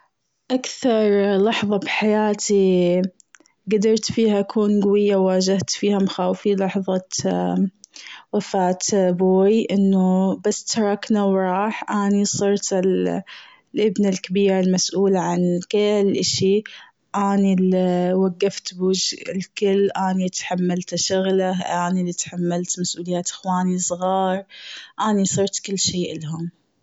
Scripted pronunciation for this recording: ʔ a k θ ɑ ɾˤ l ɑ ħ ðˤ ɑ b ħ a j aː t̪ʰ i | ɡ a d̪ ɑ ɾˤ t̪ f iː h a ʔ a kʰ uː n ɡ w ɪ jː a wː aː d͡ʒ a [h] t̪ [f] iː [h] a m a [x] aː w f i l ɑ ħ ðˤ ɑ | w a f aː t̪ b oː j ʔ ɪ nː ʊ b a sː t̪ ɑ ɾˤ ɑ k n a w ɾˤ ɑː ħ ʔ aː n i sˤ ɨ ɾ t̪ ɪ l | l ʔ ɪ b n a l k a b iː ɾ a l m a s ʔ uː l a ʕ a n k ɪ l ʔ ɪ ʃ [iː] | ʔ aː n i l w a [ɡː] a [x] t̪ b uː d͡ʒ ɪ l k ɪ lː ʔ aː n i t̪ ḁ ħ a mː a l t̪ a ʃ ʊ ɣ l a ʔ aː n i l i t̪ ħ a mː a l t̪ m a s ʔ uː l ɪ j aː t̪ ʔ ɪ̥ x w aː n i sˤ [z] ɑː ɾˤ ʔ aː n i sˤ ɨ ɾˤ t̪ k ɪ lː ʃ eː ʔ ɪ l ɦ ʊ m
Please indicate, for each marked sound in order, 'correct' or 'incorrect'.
correct, correct, correct, correct, incorrect: i, correct, incorrect: f, incorrect: ɣ

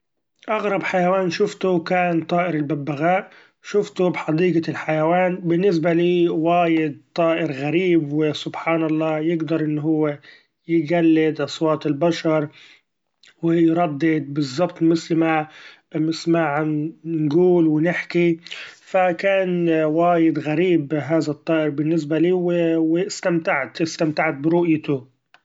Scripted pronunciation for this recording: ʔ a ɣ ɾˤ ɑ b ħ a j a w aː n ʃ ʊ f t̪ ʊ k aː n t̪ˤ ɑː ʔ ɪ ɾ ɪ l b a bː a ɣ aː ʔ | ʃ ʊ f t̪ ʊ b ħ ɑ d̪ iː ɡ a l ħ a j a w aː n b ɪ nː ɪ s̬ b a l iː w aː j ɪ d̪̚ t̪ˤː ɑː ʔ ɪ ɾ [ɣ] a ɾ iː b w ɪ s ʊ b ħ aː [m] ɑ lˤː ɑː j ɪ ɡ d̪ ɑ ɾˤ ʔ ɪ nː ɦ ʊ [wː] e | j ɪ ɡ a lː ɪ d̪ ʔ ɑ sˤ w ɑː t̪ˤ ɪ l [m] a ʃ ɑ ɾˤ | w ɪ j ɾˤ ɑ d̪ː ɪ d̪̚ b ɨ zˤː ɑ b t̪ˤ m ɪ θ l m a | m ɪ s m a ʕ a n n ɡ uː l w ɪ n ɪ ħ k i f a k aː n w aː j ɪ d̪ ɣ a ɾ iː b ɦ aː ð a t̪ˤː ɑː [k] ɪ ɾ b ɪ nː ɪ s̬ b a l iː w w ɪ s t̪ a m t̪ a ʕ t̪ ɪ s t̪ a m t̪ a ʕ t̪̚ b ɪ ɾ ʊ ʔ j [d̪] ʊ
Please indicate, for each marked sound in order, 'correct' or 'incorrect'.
correct, incorrect: n, correct, incorrect: b, incorrect: ʔ, incorrect: t̪

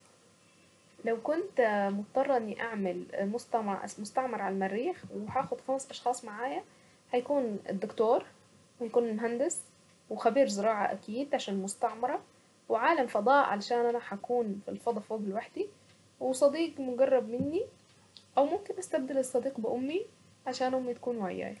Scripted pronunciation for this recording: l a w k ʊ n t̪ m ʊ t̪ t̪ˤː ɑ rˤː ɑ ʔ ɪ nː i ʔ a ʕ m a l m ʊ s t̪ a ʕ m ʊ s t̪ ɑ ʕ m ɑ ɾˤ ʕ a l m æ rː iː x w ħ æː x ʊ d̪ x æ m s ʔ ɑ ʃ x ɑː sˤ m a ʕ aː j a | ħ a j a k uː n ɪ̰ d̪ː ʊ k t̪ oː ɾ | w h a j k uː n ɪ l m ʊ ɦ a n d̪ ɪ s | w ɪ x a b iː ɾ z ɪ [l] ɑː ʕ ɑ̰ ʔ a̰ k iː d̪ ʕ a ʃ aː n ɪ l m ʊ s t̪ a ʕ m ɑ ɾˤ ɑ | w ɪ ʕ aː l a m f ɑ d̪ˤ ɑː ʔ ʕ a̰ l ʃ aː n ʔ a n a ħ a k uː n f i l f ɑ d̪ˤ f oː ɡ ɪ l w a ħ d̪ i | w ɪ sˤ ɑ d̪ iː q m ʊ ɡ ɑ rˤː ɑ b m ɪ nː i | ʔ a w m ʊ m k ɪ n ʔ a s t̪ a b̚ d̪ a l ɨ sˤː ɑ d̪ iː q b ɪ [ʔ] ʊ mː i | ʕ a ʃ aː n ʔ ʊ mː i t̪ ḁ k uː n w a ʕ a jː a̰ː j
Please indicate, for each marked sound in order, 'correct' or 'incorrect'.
incorrect: ɾ, correct

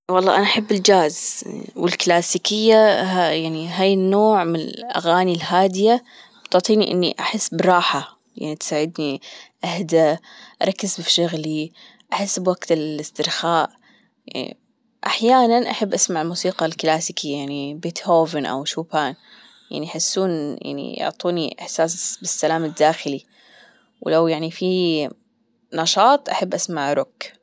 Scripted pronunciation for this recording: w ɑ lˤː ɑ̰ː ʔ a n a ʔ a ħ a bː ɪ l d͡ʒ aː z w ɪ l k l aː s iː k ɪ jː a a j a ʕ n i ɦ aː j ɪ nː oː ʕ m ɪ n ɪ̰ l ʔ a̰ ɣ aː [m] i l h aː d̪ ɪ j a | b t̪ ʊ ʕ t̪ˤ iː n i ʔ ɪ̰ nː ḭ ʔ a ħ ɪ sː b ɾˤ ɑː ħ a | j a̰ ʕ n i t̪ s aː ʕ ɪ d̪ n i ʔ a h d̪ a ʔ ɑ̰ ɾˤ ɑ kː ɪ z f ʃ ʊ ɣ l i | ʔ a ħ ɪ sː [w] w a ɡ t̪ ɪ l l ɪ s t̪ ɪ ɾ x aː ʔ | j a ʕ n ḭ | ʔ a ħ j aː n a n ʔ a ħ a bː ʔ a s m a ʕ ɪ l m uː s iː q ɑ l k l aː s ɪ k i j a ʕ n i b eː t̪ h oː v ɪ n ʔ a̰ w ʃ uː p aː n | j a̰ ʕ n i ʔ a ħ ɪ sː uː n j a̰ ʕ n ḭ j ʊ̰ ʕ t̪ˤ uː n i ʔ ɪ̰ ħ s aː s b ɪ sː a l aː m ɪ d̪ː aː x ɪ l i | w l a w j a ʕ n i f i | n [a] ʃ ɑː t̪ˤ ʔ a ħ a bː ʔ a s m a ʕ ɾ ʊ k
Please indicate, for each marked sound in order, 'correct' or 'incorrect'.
incorrect: n, incorrect: b, incorrect: ɑ

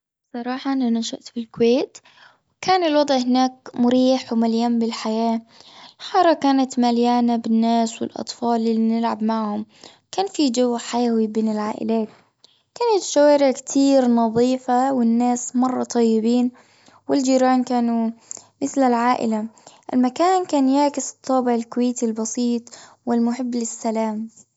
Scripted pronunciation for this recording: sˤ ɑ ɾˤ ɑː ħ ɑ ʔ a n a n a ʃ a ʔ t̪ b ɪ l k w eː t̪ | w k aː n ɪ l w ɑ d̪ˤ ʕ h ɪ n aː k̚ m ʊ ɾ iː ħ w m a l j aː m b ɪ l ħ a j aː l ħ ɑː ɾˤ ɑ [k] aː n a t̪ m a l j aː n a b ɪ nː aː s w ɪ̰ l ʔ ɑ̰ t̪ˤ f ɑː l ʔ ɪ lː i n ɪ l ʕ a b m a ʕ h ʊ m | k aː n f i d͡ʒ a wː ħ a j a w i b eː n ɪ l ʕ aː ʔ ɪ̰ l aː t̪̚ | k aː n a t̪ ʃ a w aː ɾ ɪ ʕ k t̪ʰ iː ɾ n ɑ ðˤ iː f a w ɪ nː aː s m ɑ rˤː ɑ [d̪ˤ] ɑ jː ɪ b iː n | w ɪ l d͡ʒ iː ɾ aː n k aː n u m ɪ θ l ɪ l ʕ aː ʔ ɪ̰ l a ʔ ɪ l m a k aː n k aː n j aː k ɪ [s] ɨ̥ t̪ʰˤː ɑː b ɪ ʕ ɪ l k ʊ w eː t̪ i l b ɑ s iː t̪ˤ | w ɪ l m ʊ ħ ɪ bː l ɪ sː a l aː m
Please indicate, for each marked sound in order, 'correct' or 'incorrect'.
correct, incorrect: t̪ˤ, correct

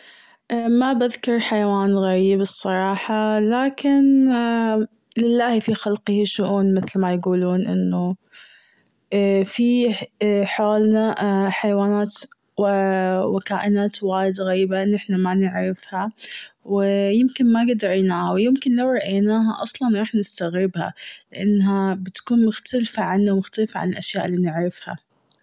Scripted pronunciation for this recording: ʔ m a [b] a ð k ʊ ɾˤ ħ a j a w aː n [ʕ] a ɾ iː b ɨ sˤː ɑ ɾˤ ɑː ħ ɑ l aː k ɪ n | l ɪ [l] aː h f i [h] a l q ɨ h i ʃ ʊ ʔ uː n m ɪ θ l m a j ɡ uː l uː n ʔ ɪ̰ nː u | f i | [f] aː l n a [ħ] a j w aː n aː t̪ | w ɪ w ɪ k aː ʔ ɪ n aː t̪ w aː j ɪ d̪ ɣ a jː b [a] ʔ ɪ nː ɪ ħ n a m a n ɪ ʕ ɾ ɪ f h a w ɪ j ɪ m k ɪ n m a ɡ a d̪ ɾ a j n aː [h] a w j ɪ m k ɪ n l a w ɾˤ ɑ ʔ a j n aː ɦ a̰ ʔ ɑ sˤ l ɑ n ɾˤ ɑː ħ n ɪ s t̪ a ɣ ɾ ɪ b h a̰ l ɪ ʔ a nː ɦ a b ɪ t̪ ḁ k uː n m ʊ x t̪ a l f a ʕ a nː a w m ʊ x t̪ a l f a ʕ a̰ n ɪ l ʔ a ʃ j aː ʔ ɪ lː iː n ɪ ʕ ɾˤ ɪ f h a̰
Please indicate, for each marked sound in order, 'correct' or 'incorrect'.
correct, incorrect: ɣ, incorrect: lː, incorrect: x, incorrect: ħ, correct, correct, correct

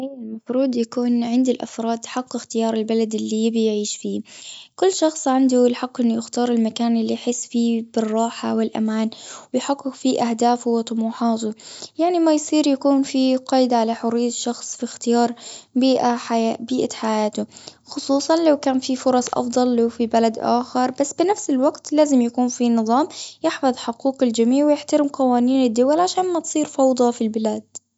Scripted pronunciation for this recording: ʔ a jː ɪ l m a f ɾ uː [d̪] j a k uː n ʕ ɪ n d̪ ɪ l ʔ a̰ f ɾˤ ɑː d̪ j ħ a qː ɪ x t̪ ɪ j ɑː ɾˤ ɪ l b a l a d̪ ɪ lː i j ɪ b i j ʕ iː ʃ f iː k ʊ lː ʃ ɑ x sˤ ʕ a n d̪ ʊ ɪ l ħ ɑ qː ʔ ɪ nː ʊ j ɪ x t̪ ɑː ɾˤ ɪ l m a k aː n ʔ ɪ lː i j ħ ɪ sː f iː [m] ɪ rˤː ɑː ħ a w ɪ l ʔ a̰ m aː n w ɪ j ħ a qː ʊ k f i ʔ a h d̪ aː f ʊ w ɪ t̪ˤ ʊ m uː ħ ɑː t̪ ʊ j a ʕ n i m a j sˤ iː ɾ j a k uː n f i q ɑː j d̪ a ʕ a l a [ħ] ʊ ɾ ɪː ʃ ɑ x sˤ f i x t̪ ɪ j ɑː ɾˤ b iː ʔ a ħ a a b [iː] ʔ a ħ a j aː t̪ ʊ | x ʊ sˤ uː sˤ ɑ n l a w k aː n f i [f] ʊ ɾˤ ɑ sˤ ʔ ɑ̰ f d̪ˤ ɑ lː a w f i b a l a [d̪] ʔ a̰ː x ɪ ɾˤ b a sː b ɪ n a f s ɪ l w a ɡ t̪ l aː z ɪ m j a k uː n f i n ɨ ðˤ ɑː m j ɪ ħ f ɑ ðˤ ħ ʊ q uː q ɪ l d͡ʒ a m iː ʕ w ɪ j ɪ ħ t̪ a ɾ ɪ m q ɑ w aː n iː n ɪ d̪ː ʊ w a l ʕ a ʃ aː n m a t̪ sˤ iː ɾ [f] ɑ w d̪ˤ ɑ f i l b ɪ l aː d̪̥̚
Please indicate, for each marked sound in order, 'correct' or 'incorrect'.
correct, incorrect: b, correct, correct, correct, correct, correct

